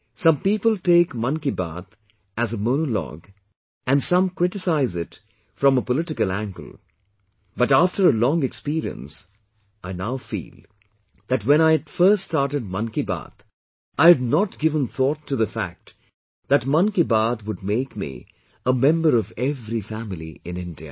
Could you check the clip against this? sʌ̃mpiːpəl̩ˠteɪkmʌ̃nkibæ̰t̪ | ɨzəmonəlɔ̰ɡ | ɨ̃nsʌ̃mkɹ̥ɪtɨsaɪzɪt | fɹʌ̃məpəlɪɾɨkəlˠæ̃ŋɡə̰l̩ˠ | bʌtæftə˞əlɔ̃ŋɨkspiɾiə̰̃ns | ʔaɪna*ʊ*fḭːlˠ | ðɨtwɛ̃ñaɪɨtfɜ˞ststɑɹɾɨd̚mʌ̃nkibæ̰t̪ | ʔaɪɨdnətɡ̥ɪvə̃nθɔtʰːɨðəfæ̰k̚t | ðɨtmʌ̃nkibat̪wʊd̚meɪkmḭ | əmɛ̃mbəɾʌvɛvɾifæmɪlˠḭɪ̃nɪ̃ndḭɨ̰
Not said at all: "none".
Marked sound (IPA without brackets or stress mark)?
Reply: ʊ